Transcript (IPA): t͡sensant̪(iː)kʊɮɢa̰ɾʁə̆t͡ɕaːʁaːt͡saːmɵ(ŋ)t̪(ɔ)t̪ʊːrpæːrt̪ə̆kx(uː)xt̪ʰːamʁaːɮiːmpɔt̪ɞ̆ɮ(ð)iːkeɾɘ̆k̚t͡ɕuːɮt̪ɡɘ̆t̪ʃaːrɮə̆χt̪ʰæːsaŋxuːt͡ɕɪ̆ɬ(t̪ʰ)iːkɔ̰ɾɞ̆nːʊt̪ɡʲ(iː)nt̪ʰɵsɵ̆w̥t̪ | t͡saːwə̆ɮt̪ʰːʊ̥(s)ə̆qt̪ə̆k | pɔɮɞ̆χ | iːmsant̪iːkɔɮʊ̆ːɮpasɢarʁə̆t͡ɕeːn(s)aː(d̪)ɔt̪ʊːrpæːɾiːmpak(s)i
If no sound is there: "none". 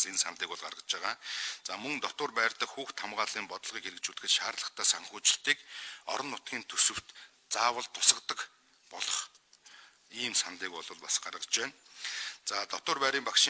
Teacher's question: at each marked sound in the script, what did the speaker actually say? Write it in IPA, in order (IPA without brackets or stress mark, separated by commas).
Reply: iː, ŋ, ɔ, uː, ʁ, t̪, iː, s, t͡s, t̪, ʃ